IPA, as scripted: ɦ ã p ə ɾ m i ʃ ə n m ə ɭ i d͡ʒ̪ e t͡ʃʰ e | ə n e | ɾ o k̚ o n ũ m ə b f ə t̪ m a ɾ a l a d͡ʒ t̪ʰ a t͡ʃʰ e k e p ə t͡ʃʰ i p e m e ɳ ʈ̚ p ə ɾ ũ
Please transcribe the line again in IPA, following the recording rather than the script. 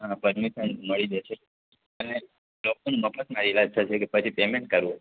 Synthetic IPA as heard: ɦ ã p ə ɾ m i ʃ ə n m ə ɭ i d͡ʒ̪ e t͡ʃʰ e | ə n e | l o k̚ o n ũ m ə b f ə t̪ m a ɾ i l a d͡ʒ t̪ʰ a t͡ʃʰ e k e p ə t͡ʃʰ i p e m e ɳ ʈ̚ k ə ɾ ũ

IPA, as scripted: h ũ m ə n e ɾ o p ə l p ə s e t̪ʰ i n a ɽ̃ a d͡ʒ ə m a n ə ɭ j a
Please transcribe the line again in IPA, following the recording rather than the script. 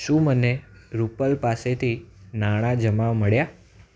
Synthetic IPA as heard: ʃ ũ m ə n e ɾ u p ə l p a s e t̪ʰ i n a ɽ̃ a d͡ʒ ə m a m ə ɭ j a

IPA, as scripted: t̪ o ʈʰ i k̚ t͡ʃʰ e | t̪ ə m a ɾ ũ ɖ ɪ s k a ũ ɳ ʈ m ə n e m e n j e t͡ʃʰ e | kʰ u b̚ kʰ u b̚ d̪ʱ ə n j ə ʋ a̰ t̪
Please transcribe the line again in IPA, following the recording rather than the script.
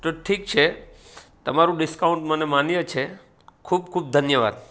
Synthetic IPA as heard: t̪ o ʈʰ i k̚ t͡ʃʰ e | t̪ ə m a ɾ ũ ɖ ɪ s k a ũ ɳ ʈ m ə n e m a n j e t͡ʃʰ e | kʰ u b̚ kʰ u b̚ d̪ʱ ə n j ə ʋ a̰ d̪

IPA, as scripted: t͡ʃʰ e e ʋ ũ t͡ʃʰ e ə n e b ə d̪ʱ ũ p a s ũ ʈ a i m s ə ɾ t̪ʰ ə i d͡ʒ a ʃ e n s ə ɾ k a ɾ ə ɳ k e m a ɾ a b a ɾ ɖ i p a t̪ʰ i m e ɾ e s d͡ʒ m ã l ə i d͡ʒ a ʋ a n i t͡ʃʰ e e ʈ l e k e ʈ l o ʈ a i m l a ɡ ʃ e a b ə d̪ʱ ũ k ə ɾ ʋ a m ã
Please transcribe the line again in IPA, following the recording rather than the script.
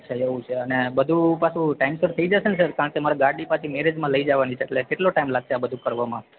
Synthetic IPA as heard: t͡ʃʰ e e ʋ ũ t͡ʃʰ e ə n e b ə d̪ʱ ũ p a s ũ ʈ a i m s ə ɾ t̪ʰ ə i d͡ʒ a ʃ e n s ə ɾ k a ɾ ə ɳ k e m a ɾ a ɡ a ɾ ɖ i p a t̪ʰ i m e ɾ e d͡ʒ m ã l ə i d͡ʒ a ʋ a n i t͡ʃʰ e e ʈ l e k e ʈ l o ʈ a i m l a ɡ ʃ e a b ə d̪ʱ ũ k ə ɾ ʋ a m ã

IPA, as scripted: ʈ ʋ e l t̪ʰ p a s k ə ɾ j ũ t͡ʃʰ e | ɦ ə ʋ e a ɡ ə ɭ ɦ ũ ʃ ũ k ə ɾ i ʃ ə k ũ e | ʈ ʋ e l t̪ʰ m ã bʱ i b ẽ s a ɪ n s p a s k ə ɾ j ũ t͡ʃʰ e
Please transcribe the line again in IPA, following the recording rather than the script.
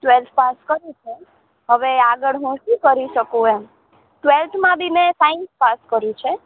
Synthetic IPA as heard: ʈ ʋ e l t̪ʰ p a s k ə ɾ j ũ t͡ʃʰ e | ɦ ə ʋ e a ɡ ə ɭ ɦ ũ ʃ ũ k ə ɾ i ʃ ə k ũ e | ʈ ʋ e l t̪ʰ m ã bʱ i m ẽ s a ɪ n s p a s k ə ɾ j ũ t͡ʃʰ e

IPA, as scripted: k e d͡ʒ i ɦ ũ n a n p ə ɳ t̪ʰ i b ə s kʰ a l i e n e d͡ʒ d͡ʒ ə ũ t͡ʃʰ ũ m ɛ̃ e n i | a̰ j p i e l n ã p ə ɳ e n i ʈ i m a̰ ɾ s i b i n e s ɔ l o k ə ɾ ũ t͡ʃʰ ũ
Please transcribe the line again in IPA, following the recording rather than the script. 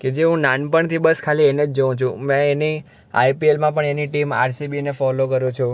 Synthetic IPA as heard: k e d͡ʒ e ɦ ũ n a n p ə ɳ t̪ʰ i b ə s kʰ a l i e n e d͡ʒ d͡ʒ ə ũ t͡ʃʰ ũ m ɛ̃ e n i | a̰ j p i e l m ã p ə ɳ e n i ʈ i m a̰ ɾ s i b i n e f ɔ l o k ə ɾ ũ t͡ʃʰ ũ

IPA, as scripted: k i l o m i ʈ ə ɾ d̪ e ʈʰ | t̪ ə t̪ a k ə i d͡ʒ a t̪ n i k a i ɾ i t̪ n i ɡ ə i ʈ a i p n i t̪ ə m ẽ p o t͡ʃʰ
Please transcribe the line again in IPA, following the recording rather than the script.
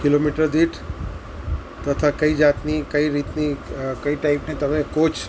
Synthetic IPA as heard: k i l o m i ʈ ə ɾ d̪ i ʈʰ | t̪ ə t̪ʰ a k ə i d͡ʒ a t̪ n i k ə i ɾ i t̪ n i k ə i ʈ a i p n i t̪ ə m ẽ k o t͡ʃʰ

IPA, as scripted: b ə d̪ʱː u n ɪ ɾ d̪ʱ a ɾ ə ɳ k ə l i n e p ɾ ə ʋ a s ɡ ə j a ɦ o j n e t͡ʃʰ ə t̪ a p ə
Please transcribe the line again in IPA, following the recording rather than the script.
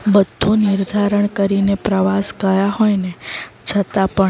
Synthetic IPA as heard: b ə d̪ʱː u n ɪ ɾ d̪ʱ a ɾ ə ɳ k ə ɾ i n e p ɾ ə ʋ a s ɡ ə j a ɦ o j n e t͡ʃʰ ə t̪ a p ə

